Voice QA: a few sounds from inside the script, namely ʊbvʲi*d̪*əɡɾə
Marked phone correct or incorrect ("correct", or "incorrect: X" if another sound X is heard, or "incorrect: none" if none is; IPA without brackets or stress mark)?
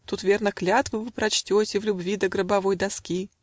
correct